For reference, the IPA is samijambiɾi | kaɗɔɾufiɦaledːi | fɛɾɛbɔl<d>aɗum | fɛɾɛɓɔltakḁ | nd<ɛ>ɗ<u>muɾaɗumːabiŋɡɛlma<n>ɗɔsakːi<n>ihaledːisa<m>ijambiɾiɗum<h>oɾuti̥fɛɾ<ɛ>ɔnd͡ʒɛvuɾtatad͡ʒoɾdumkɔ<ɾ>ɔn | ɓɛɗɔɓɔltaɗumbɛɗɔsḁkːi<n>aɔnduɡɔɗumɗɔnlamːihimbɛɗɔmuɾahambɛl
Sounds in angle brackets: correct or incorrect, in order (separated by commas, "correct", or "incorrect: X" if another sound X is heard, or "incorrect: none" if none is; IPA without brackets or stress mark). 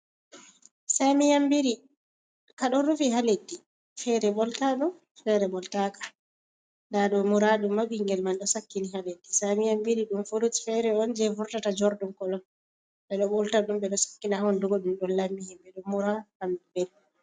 incorrect: t, incorrect: a, incorrect: ɔ, correct, correct, correct, incorrect: f, correct, incorrect: l, correct